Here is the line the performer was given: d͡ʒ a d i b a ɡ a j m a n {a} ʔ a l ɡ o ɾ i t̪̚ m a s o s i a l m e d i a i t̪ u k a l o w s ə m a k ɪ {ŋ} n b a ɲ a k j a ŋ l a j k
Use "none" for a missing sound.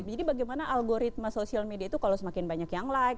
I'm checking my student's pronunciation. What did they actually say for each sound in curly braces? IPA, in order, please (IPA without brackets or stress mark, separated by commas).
a, none